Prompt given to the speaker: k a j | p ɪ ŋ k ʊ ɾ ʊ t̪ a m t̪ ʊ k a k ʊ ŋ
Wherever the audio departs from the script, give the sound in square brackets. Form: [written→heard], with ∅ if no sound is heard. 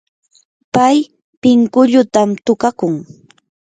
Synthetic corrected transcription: [k→p] a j | p ɪ ŋ k ʊ [ɾ→ʎ] ʊ t̪ a m t̪ ʊ k a k ʊ ŋ